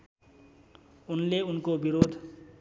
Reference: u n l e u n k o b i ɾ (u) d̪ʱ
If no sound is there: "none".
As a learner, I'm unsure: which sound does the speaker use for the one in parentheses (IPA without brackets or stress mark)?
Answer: o